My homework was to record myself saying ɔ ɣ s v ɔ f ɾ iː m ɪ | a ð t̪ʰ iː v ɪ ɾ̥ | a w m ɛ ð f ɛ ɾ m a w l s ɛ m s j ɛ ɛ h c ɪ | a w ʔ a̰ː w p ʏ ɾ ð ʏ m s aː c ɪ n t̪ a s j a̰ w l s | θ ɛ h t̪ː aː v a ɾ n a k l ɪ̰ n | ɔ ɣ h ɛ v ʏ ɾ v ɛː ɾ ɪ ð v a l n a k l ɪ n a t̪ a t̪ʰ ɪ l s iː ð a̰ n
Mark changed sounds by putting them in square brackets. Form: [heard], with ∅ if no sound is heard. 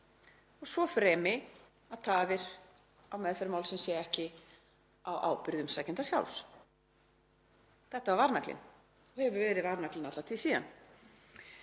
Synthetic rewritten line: ɔ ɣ s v ɔ f ɾ [ɛː] m ɪ | a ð t̪ʰ [aː] v ɪ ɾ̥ | a w m ɛ ð f ɛ ɾ m a w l s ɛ m s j ɛ ɛ h c ɪ | a w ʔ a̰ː w p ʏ ɾ ð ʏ m s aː c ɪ n t̪ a s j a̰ w l s | θ ɛ h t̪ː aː v a ɾ n a k l ɪ̰ n | ɔ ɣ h ɛ v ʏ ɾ v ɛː ɾ ɪ ð v a [ɾ] n a k l ɪ n a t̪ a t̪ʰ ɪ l s iː ð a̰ n